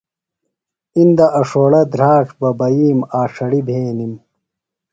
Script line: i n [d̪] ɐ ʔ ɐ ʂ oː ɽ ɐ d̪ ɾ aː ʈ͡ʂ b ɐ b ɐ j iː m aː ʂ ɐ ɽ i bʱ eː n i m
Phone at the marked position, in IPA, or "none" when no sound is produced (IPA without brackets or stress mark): d̪